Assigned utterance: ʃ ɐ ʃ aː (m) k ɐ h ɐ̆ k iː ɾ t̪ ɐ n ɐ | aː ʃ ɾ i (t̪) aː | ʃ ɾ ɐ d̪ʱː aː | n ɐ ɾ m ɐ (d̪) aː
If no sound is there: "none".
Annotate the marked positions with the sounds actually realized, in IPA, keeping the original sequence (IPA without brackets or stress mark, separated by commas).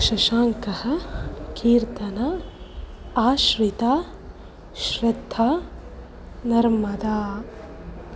ŋ, t̪, d̪